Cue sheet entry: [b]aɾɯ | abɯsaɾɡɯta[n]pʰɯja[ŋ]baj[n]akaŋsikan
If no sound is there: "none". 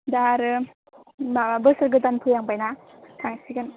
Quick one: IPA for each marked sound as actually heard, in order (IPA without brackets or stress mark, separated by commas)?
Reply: d, n, ŋ, n